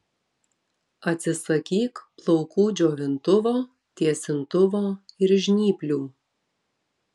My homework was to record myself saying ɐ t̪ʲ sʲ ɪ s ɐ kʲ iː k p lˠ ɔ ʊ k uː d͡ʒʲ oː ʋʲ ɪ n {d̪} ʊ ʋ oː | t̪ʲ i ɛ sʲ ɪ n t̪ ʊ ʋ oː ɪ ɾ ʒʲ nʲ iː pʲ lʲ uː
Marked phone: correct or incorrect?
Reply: incorrect: t̪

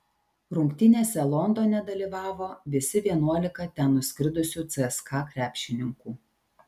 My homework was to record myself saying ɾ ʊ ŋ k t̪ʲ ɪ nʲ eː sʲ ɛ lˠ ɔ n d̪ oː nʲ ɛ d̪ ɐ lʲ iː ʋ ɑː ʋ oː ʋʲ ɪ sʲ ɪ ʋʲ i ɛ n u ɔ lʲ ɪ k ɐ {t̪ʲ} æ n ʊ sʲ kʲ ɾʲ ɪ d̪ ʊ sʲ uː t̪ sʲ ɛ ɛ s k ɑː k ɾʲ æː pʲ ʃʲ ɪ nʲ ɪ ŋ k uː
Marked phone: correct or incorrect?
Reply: correct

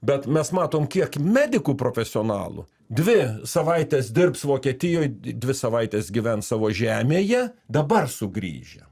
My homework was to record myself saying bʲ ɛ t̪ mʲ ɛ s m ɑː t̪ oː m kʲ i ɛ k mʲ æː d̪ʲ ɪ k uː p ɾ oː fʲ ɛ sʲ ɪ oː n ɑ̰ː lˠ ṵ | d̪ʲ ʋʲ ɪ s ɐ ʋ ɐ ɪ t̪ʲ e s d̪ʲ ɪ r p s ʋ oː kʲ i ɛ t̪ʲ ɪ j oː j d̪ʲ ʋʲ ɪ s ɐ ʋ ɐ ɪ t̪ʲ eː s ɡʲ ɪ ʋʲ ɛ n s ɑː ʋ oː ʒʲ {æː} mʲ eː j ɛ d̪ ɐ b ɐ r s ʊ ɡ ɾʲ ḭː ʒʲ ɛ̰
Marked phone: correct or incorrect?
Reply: correct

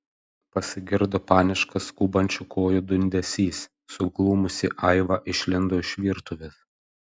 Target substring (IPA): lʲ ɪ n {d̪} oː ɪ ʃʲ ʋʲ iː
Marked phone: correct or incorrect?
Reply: correct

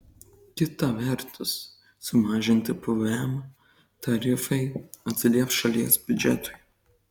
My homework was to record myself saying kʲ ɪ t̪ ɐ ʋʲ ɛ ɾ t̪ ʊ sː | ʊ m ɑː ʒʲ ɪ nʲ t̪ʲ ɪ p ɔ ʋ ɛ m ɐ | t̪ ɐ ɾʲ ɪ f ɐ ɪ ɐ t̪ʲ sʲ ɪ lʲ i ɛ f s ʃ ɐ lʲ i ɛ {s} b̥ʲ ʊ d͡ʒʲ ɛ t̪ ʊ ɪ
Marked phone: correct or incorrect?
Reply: correct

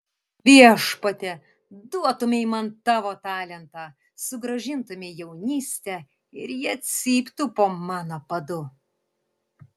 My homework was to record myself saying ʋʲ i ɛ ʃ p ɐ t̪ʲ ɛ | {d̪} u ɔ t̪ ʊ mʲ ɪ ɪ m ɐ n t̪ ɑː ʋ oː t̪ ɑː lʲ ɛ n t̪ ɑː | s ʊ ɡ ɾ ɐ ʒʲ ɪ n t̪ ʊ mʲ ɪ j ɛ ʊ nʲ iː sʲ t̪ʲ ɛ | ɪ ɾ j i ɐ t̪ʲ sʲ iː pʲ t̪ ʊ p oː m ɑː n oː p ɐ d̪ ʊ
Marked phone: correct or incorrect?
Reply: correct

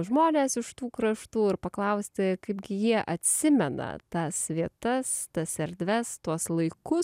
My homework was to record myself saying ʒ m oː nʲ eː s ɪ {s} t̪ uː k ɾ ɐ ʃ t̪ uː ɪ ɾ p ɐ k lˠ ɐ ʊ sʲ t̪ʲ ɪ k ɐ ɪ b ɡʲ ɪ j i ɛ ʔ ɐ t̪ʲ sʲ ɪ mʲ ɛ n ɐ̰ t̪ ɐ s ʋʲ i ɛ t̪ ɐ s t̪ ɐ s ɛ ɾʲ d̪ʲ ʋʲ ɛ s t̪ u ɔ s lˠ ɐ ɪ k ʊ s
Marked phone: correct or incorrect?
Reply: incorrect: ʃ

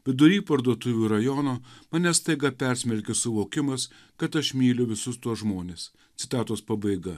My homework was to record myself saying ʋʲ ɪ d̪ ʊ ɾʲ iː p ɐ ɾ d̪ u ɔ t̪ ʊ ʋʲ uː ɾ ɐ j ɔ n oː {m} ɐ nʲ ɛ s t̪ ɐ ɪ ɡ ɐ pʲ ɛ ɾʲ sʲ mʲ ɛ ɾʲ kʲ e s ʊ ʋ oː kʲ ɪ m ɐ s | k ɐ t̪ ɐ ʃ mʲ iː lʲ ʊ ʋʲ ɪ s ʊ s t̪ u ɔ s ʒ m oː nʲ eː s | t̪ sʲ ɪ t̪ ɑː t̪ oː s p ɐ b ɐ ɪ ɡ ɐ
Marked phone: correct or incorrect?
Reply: correct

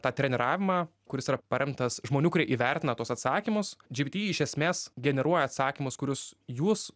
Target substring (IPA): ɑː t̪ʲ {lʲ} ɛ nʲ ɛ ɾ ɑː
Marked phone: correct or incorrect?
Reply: incorrect: ɾʲ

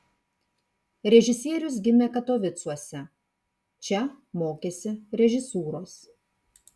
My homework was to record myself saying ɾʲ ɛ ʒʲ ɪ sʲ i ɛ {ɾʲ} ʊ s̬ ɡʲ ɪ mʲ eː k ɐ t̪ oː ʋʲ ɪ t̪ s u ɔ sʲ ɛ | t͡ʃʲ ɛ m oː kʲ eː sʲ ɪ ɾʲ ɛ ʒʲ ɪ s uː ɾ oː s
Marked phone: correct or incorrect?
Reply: correct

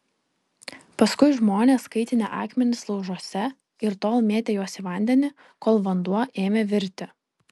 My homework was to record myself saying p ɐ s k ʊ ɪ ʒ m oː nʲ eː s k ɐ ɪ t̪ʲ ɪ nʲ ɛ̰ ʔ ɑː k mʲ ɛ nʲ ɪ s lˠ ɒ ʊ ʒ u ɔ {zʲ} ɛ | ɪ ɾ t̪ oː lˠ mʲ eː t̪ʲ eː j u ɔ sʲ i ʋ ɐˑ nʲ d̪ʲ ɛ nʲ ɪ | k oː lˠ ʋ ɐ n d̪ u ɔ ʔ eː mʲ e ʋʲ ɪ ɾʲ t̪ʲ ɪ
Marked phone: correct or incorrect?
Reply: incorrect: sʲ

